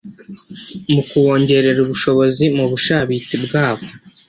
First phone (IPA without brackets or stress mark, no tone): m